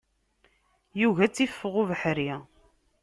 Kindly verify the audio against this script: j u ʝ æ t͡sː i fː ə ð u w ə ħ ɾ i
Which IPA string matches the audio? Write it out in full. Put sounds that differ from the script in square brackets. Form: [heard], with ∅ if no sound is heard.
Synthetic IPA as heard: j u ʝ æ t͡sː i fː ə [ʁ] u [v] ə ħ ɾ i